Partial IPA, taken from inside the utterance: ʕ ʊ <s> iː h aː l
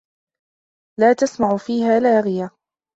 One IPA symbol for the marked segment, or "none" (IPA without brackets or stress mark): f